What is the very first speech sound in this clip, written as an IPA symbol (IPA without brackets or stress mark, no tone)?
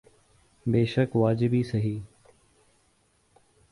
b